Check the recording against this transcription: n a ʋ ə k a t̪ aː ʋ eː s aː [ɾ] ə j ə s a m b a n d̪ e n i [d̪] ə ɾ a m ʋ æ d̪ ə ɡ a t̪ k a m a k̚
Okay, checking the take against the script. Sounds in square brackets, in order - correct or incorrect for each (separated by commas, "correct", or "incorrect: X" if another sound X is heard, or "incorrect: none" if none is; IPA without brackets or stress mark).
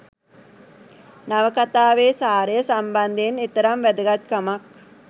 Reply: correct, incorrect: t̪